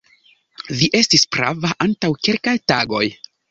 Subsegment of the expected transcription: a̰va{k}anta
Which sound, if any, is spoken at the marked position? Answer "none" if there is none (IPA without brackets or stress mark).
ʔ